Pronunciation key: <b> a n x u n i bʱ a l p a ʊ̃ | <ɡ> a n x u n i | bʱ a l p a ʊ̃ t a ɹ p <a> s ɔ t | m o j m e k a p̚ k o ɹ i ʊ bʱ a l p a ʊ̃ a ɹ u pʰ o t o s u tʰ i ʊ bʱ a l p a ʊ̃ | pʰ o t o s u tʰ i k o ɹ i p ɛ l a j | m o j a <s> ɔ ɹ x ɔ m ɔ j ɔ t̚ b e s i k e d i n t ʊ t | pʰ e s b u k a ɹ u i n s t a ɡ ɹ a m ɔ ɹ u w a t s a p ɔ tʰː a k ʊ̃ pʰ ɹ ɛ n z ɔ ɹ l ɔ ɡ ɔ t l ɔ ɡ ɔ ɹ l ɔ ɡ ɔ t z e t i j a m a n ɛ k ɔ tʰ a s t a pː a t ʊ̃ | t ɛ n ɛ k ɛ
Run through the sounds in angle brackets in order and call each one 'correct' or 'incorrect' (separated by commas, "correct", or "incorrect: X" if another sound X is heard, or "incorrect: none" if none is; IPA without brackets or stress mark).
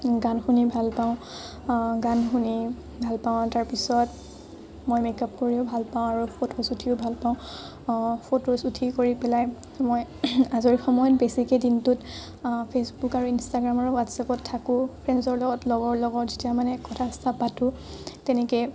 incorrect: ɡ, correct, incorrect: i, incorrect: z